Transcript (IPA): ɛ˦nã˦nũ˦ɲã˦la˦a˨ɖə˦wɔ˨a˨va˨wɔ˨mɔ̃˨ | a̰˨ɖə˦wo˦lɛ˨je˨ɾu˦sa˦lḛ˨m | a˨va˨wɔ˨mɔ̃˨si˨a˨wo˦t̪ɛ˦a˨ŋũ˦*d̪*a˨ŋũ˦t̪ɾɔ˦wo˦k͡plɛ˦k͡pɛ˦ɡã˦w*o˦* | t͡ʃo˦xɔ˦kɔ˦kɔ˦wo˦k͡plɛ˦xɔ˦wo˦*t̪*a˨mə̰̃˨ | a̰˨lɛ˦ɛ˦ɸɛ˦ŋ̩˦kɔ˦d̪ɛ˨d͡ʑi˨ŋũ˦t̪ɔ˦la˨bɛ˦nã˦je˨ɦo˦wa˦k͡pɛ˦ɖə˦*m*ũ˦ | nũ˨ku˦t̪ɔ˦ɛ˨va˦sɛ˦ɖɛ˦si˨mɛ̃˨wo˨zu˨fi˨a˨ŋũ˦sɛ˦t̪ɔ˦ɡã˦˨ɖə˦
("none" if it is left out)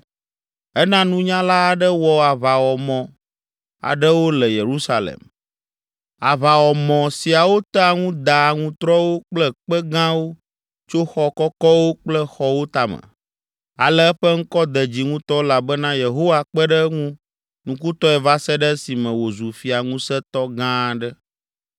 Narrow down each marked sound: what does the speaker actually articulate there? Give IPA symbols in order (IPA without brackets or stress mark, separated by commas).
d̪, o˦, t̪, ŋ